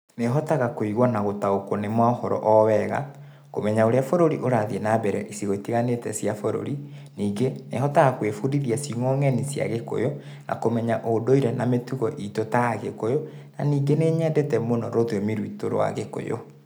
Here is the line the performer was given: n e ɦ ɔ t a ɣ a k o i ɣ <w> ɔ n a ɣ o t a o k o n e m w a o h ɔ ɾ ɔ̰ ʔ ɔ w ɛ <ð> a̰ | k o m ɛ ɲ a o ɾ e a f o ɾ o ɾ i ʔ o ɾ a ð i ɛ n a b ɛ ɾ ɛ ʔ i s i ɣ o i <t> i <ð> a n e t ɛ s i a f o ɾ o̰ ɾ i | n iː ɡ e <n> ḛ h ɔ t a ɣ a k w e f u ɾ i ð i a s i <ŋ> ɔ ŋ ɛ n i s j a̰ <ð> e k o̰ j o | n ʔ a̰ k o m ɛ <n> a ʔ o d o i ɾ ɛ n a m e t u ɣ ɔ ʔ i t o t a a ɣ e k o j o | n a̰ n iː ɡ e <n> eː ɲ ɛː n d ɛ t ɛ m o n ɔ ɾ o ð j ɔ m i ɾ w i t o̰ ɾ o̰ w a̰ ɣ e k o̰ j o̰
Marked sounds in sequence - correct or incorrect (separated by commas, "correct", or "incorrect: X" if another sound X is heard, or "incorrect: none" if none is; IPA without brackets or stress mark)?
correct, incorrect: ɣ, correct, incorrect: ɣ, correct, correct, incorrect: ɣ, incorrect: ɲ, correct